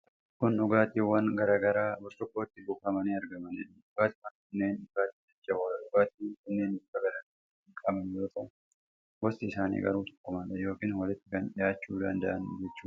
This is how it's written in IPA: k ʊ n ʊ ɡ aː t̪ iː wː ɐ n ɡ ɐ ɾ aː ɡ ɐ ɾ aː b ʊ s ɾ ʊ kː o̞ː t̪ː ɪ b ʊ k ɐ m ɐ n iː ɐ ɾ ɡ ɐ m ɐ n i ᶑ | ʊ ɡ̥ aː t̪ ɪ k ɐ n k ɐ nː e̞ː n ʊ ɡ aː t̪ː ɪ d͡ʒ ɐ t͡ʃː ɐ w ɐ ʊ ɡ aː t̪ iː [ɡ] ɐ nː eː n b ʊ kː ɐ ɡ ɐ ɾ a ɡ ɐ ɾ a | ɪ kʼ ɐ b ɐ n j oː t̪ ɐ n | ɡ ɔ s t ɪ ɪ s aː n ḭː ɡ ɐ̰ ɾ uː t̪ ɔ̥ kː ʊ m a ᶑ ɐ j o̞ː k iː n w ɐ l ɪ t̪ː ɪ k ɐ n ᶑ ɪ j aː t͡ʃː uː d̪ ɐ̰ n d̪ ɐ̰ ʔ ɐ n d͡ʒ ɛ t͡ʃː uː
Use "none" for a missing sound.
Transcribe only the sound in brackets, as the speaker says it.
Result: k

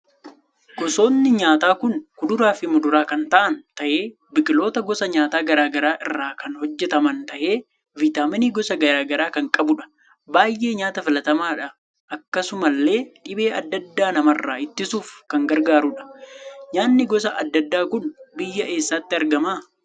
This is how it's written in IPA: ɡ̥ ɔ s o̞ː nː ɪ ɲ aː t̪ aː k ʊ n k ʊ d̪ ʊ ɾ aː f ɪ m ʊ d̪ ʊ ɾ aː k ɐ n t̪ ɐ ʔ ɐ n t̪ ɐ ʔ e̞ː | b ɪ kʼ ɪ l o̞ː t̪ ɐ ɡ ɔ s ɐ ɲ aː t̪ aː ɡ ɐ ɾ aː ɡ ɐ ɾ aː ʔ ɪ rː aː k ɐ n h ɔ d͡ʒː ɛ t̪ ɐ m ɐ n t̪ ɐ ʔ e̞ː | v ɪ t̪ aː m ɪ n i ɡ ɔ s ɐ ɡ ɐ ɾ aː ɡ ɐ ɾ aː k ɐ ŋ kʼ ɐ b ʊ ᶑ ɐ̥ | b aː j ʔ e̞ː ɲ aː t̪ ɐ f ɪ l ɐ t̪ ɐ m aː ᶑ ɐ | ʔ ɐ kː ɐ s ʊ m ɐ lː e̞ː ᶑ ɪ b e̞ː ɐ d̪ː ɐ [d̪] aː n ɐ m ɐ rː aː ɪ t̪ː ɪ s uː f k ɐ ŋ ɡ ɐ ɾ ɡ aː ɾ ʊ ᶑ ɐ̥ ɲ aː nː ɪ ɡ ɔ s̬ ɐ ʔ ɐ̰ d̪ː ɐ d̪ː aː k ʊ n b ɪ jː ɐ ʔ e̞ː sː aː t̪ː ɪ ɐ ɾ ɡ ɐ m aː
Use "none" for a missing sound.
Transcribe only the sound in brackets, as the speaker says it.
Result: d̪ː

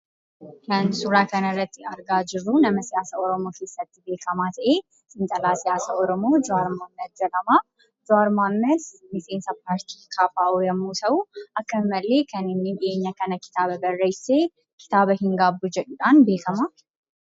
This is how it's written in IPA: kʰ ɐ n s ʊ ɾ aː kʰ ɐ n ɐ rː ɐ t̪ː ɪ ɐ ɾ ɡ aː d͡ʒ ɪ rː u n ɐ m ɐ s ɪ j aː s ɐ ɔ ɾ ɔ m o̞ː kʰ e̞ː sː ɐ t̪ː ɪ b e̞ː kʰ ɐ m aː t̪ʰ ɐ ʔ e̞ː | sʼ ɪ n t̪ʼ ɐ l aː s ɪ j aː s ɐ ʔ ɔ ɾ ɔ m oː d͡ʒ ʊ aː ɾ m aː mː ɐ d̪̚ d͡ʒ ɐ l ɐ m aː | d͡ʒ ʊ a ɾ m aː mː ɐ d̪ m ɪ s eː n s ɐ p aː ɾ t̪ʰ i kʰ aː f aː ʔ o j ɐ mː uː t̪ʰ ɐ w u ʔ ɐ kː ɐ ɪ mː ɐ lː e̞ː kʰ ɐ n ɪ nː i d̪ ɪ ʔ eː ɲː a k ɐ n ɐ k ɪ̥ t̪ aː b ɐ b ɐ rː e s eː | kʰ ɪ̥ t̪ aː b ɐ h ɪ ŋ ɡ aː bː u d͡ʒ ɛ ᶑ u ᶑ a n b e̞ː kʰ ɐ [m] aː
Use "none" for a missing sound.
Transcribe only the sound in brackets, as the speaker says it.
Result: m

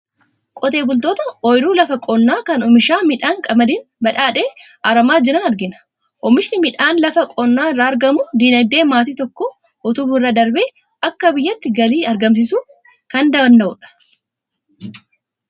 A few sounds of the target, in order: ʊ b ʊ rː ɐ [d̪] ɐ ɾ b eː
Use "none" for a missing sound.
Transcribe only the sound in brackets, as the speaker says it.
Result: d̪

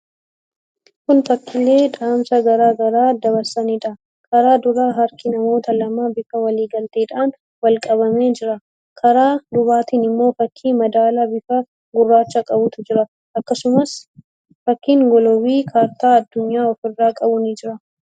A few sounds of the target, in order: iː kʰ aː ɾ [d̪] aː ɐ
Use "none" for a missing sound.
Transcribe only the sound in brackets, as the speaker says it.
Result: t̪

